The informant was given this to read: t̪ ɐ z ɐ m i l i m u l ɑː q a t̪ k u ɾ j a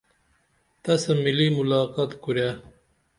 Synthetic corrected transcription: t̪ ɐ s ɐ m i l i m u l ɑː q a t̪ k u ɾ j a